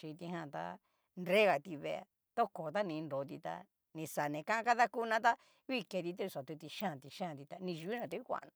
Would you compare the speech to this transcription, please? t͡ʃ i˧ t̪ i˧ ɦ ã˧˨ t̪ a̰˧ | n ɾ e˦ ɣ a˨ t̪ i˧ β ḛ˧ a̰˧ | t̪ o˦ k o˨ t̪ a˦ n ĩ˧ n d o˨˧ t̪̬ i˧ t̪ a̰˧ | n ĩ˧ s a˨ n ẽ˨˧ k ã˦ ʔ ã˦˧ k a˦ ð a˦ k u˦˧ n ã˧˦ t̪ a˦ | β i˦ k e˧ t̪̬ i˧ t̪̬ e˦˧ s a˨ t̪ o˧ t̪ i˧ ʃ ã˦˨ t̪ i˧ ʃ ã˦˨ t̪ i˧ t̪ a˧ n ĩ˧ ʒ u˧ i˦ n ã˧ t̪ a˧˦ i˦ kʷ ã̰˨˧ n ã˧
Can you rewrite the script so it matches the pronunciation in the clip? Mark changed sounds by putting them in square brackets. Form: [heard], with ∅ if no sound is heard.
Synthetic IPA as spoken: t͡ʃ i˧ t̪ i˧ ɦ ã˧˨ t̪ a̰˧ | n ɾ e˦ ɣ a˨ t̪ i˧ β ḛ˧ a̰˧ | t̪ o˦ k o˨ t̪ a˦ n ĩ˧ n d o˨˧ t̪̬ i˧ t̪ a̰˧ | n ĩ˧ s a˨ n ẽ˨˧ k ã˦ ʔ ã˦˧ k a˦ ð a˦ k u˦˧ n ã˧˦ t̪ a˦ | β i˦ k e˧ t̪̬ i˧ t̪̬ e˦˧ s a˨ t̪ [u˧] t̪ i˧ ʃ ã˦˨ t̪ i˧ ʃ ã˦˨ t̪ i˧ t̪ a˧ n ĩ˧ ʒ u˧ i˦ n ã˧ t̪ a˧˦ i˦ kʷ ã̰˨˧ n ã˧